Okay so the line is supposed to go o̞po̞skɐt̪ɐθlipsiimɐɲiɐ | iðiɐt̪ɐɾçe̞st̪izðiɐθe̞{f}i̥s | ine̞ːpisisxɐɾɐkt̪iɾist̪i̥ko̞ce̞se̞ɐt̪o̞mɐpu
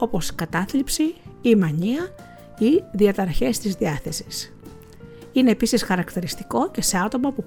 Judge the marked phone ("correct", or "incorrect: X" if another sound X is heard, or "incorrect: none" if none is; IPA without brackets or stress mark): incorrect: s